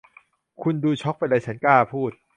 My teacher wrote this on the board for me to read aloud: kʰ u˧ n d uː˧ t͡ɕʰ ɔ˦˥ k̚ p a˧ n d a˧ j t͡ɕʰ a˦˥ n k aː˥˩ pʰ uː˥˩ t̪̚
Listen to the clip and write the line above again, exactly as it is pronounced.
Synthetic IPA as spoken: kʰ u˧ n d uː˧ t͡ɕʰ ɔ˦˥ k̚ p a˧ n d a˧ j t͡ɕʰ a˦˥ n k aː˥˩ pʰ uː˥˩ t̪̚